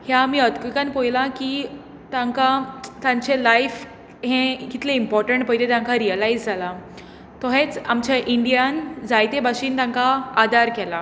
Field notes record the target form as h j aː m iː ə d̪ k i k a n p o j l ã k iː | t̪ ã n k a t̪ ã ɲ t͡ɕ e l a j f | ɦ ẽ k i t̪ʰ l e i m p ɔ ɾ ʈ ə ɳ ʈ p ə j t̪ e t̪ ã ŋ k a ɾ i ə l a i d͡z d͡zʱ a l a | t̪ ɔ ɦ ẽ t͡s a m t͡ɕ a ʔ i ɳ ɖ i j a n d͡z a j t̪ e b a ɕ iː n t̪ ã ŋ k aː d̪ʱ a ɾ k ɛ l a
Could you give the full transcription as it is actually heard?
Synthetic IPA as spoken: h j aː m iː ə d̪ k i k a n p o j l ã k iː | t̪ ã ŋ k a t̪ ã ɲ t͡ɕ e l a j f | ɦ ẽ k i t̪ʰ l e i m p ɔ ɾ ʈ ə ɳ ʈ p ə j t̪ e t̪ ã ŋ k a ɾ i ə l a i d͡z d͡zʱ a l a | t̪ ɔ ɦ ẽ t͡s a m t͡ɕ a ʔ i ɳ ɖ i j a n d͡z a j t̪ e b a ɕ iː n t̪ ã ŋ k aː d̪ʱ a ɾ k ɛ l a